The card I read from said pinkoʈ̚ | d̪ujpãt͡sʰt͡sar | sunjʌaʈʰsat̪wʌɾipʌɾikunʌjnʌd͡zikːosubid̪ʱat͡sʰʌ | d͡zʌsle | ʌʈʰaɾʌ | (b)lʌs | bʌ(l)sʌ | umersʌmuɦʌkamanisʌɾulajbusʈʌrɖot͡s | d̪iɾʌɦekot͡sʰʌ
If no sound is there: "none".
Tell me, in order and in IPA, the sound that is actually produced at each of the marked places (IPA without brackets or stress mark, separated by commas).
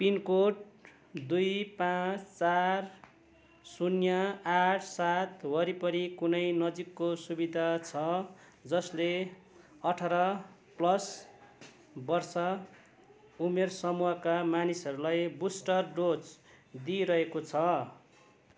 p, r